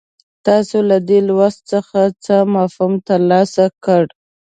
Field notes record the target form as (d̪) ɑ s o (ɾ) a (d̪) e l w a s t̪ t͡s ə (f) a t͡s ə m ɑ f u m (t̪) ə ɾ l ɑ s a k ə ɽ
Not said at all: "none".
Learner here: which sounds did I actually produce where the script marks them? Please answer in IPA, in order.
t̪, l, d̪, x, t̪

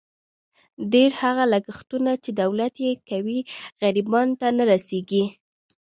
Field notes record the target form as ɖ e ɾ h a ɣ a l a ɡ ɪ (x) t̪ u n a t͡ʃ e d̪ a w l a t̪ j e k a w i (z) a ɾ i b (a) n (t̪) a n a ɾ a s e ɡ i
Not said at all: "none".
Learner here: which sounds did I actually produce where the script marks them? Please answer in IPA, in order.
x, ɣ, ɑ, t̪

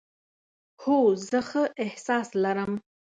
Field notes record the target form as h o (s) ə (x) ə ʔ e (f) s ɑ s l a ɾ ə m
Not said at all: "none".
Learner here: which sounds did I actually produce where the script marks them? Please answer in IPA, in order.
z, x, h

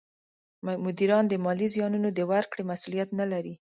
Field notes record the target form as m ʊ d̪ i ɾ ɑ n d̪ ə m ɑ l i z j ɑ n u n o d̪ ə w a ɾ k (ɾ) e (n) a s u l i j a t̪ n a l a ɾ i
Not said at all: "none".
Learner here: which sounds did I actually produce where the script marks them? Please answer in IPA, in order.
ɽ, m

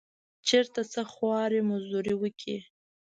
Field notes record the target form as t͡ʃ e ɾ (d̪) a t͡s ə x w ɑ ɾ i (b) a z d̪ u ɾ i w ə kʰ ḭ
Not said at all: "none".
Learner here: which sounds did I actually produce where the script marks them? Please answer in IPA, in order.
t̪, m

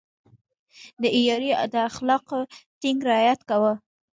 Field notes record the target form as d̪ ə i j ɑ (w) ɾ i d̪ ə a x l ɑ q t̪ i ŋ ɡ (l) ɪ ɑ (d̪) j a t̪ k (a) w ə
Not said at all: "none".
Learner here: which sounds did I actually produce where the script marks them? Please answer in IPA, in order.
none, ɾ, none, a

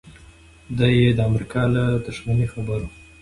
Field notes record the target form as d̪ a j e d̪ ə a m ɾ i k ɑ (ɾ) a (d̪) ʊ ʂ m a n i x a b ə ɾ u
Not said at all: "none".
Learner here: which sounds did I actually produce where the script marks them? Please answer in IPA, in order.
l, d̪

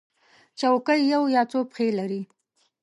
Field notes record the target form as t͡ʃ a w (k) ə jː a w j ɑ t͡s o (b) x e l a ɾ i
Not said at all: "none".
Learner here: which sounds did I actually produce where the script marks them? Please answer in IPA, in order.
k, p

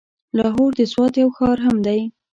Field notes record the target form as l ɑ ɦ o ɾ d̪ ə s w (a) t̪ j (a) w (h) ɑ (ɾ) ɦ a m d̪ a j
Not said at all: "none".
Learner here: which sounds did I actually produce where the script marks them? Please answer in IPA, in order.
ɑ, a, x, ɾ

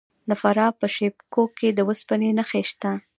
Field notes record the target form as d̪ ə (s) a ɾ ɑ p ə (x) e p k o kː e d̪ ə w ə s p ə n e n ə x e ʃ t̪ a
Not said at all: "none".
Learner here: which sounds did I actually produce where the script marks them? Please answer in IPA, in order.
f, ʃ

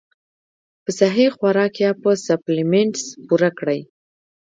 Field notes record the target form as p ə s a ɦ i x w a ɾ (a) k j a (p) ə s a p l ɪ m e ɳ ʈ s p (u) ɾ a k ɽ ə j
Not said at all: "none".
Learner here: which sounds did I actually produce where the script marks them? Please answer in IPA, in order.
ɑ, p, u

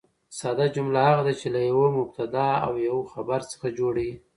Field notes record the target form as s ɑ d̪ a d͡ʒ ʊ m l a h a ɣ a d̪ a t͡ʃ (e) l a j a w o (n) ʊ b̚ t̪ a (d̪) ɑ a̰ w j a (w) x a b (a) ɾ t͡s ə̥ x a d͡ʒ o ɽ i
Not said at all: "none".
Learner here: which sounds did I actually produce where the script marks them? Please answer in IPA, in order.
e, m, d̪, w, a

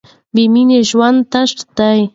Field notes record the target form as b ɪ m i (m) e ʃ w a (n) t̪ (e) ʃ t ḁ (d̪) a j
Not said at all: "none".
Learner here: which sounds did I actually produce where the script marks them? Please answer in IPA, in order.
n, n, a, t̪

